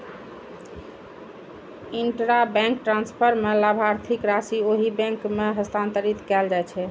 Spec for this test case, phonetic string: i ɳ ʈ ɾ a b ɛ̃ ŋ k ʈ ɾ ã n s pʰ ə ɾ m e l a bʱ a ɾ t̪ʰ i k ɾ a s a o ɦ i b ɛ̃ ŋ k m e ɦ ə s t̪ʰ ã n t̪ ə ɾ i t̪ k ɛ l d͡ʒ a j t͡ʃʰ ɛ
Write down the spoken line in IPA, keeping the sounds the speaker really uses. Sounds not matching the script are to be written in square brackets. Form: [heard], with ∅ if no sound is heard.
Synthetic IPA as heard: i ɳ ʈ ɾ a b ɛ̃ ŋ k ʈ ɾ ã n s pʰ ə ɾ m e l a bʱ a ɾ t̪ʰ i k ɾ a s [i] o ɦ i b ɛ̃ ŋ k m e ɦ ə s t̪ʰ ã n t̪ ə ɾ i t̪ k ɛ l d͡ʒ a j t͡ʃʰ ɛ